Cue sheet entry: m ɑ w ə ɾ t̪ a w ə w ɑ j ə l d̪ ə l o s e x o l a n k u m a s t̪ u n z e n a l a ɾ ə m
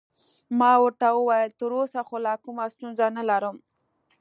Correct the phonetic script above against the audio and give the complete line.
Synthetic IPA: m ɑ w ə ɾ t̪ a w ə w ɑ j ə l t̪ ə ɾ o s a x o l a k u m a s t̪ u n z a n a l a ɾ ə m